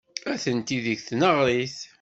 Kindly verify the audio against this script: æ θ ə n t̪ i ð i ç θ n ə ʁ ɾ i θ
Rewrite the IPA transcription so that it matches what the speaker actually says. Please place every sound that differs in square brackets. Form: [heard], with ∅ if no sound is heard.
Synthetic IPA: æ θ ə n t̪ i ð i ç θ n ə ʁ ɾ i θ